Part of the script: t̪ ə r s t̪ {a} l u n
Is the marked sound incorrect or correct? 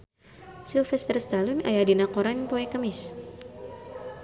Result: correct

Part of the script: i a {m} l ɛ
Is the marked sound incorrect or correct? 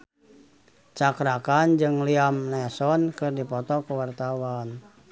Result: correct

